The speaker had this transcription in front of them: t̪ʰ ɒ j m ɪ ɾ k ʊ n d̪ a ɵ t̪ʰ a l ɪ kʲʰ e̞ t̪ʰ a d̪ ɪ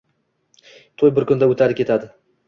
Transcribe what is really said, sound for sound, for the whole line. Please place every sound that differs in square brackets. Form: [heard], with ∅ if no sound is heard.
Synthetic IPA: t̪ʰ [o] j [b] ɪ ɾ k ʊ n d̪ a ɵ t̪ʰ a [ɾ] ɪ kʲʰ e̞ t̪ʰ a d̪ ɪ